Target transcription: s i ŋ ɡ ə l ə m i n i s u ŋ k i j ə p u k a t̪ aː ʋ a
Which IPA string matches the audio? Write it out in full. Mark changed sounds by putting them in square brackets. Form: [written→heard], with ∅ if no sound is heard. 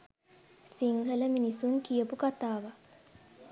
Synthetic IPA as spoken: s i ŋ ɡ ə l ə m i n i s u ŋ k i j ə p u k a t̪ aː ʋ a